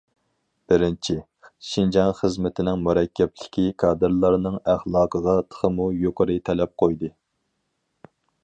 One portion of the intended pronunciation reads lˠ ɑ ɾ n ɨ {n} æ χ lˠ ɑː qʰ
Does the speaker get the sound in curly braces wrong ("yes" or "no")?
yes